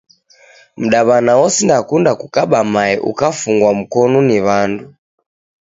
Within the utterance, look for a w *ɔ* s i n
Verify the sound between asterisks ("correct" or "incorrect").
correct